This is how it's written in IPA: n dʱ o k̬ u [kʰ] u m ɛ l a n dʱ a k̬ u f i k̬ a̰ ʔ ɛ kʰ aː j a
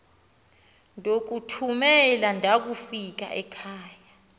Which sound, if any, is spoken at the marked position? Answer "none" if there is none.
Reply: tʰ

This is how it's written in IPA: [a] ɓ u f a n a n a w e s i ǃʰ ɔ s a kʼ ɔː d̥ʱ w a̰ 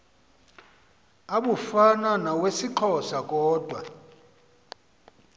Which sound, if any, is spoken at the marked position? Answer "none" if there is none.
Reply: a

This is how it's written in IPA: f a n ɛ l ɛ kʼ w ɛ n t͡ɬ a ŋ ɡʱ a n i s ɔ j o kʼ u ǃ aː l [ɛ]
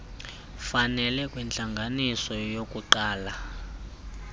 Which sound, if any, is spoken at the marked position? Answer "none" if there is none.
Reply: a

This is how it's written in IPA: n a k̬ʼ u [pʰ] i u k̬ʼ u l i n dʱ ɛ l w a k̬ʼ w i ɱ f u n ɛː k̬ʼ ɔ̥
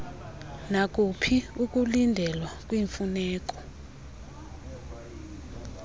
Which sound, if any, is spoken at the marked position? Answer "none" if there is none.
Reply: pʰ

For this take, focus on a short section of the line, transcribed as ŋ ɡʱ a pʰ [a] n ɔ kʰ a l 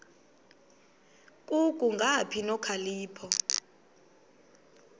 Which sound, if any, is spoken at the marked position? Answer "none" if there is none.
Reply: i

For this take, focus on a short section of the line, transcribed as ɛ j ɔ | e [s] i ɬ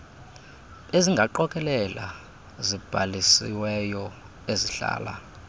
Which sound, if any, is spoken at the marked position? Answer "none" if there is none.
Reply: z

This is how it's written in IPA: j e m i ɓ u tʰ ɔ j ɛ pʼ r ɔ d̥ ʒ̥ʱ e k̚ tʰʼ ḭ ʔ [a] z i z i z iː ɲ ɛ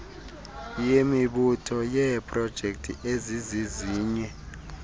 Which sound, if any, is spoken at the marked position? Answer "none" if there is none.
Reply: e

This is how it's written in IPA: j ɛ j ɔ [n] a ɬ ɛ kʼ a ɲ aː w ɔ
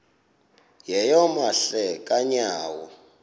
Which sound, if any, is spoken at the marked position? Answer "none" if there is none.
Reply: m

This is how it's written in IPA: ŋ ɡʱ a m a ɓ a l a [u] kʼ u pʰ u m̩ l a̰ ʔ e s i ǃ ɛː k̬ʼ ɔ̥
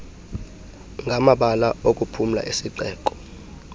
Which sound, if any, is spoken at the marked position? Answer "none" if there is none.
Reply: o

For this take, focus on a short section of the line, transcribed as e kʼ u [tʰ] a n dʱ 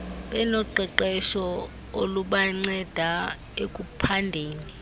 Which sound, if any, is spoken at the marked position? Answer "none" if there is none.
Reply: pʰ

